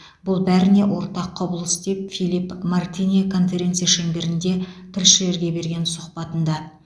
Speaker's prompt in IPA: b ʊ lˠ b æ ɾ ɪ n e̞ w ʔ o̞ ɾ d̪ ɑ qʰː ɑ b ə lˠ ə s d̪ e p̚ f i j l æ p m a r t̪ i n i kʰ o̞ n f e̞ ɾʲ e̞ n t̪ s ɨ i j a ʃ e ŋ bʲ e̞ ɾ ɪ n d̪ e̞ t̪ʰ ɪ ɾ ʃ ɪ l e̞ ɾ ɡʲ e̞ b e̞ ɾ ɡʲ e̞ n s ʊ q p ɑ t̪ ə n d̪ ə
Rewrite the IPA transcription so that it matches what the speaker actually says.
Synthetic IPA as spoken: b ʊ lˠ b æ ɾ ɪ n e̞ w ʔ o̞ ɾ t̪ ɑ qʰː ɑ b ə lˠ ə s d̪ e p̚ f i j l i p m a r t̪ i n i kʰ o̞ n f e̞ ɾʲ e̞ n t̪ s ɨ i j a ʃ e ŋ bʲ e̞ ɾ ɪ n d̪ e̞ t̪ʰ ɪ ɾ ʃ ɪ l e̞ ɾ ɡʲ e̞ b e̞ ɾ ɡʲ e̞ n s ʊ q p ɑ t̪ ə n d̪ ɑ